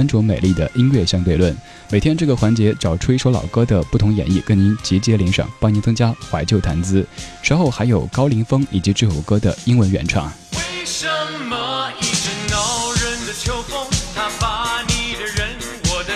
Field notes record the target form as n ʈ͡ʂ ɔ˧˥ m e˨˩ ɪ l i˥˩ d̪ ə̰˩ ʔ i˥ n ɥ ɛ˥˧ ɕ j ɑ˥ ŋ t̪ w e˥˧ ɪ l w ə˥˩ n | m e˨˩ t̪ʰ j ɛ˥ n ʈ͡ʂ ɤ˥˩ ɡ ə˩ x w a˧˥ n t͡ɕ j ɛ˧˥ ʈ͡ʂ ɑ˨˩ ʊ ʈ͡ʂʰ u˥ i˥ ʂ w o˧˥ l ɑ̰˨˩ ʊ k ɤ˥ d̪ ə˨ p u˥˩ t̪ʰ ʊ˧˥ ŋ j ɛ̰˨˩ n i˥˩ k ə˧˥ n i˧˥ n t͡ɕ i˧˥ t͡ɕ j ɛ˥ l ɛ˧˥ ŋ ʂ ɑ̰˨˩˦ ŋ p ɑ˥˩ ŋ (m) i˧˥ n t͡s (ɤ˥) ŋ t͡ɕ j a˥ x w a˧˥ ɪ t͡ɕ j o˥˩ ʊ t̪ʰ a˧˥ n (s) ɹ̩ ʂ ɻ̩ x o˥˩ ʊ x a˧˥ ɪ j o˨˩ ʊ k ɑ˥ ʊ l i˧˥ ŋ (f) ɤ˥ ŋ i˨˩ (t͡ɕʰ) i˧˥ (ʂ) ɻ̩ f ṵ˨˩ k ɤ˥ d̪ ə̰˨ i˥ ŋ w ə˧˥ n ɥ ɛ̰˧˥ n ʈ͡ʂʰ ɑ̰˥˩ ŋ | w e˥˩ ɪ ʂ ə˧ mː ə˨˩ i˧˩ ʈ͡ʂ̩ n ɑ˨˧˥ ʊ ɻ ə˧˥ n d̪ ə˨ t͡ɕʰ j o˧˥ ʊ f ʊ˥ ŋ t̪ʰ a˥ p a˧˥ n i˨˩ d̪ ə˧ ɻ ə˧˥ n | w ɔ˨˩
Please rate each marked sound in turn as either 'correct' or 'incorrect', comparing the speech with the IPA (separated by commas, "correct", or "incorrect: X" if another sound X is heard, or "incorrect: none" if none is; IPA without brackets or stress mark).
incorrect: n, correct, incorrect: t͡s, correct, incorrect: t͡ɕ, incorrect: ʈ͡ʂ